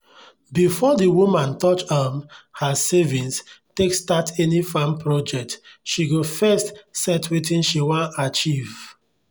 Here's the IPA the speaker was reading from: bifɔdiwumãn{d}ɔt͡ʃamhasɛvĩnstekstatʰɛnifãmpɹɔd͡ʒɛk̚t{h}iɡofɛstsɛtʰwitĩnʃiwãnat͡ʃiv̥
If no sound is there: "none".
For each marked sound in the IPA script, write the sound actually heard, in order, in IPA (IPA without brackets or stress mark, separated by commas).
t, ʃ